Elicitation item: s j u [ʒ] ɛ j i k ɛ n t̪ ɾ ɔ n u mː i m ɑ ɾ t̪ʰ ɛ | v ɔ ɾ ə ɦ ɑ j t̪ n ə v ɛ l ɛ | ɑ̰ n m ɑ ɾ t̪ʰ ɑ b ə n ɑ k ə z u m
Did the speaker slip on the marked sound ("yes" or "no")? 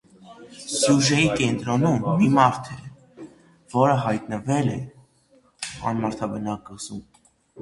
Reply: no